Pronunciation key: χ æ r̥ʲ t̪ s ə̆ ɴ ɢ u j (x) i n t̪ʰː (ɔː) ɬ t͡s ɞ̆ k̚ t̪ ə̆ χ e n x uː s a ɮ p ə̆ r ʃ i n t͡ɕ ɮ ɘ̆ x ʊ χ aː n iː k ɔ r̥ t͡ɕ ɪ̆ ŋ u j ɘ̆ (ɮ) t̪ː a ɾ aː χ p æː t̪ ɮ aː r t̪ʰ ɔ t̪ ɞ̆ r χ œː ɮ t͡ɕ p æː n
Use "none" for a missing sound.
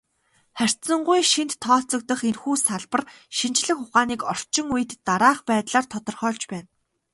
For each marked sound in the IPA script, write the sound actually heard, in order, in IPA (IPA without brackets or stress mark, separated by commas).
ʃ, ɔː, none